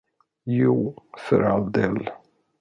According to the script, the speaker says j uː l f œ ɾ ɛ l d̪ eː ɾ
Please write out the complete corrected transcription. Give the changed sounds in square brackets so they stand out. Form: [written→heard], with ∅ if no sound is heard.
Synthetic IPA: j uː [l→∅] f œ ɾ [ɛ→a] l d̪ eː [ɾ→l]